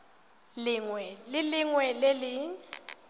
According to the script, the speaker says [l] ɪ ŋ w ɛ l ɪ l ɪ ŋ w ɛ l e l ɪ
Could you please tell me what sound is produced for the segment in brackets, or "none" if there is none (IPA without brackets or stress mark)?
l